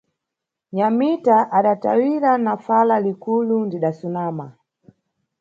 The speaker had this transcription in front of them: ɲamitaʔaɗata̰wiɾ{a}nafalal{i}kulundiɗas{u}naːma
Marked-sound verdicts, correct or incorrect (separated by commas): correct, correct, correct